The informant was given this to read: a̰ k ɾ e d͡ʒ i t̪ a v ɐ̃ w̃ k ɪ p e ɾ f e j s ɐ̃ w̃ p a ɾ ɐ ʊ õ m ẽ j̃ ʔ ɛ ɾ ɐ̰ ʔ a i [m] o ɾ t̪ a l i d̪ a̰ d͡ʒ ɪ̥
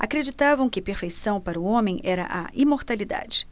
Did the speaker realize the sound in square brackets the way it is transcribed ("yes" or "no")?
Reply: yes